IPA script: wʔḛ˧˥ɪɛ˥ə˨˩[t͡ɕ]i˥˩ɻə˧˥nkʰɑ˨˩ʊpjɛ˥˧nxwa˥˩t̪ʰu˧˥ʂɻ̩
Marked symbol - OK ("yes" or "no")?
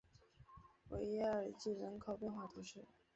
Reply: yes